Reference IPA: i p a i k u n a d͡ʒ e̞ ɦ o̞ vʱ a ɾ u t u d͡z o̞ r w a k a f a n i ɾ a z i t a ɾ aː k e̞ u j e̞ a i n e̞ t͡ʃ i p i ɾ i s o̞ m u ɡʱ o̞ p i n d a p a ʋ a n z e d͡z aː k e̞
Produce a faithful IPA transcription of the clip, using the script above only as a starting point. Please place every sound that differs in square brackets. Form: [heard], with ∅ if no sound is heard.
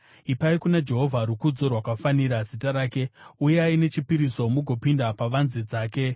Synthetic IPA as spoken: i p a i k u n a d͡ʒ e̞ ɦ o̞ vʱ a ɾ u [k] u d͡z o̞ r w a k a f a n i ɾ a z i t a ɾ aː k e̞ u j e̞ a i n e̞ t͡ʃ i p i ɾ i s o̞ m u ɡʱ o̞ p i n d a p a ʋ a n z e d͡z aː k e̞

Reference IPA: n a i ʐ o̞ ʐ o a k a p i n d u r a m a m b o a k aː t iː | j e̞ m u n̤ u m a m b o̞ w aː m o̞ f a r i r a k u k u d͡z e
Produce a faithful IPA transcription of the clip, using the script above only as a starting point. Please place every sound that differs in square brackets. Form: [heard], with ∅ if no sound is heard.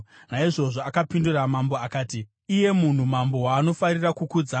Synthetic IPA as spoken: n a i ʐ o̞ ʐ o a k a p i n d u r a m a m b o a k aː t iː | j e̞ m u n̤ u m a m b o̞ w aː [n] o̞ f a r i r a k u k u d͡z [a]

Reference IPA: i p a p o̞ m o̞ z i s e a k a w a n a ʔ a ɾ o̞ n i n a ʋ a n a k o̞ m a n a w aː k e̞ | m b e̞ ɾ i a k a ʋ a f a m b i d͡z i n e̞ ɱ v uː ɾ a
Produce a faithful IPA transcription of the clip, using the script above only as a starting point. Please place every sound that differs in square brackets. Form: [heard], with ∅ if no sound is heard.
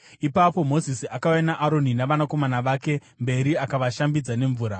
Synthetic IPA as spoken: i p a p o̞ m o̞ z i s [i] a k a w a n a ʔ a ɾ o̞ n i n a ʋ a n a k o̞ m a n a [ʋ] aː k e̞ | m b e̞ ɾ i a k a ʋ a [ʃ] a m b i d͡z [a] n e̞ ɱ v uː ɾ a

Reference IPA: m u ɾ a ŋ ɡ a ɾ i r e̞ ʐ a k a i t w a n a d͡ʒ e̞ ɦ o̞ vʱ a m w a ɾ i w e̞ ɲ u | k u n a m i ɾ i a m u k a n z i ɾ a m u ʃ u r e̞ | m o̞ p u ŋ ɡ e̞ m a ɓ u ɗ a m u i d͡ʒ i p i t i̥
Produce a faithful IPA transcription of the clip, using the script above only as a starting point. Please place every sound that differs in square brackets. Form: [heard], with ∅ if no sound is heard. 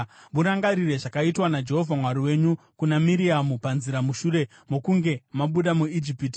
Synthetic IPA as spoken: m u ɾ a ŋ ɡ a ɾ i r e̞ ʐ a k a i t w a n a d͡ʒ e̞ ɦ o̞ vʱ a m w a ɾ i w e̞ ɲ u | k u n a m i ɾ i a m u [p] a n z i ɾ a m u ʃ u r e̞ | m o̞ [k] u ŋ ɡ e̞ m a ɓ u ɗ a m u i d͡ʒ i p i t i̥

